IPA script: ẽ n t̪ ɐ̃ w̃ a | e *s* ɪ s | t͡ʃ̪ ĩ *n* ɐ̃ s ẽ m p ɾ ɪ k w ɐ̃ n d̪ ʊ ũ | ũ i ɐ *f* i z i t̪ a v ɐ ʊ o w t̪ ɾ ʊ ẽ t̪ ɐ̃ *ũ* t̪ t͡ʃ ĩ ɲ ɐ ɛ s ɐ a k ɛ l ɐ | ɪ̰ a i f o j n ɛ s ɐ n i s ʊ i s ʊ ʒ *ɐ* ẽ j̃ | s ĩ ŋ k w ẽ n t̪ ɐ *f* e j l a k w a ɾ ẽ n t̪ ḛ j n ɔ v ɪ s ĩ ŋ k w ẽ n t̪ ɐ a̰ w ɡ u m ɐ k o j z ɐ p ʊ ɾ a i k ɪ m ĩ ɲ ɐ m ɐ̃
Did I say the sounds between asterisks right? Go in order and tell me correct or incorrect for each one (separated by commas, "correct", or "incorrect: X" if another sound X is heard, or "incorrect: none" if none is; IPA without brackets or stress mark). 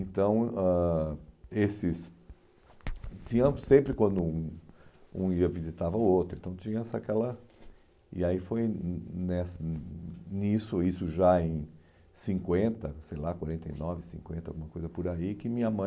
correct, incorrect: ɲ, incorrect: v, incorrect: w̃, incorrect: a, incorrect: s